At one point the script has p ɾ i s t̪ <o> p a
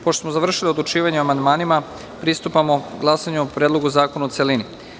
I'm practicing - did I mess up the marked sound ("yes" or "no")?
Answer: yes